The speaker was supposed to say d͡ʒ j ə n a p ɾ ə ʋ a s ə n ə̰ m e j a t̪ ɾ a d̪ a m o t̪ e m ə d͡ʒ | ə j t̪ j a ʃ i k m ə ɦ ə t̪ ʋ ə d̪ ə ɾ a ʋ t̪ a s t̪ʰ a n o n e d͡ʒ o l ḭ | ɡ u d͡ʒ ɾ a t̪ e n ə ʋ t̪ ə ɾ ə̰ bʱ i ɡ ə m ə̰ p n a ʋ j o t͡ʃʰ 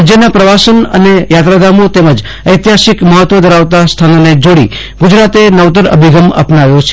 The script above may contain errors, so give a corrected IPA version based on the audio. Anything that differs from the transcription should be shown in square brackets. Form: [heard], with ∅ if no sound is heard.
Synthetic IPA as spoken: d͡ʒ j ə n a p ɾ ə ʋ a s ə n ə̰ [n] e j a t̪ ɾ a d̪ a m o t̪ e m ə d͡ʒ | ə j t̪ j a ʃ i k m ə ɦ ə t̪ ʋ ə d̪ ə ɾ a ʋ t̪ a s t̪ʰ a n o n e d͡ʒ o [ɽ] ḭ | ɡ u d͡ʒ ɾ a t̪ e n ə ʋ t̪ ə ɾ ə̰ bʱ i ɡ ə m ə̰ p n a ʋ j o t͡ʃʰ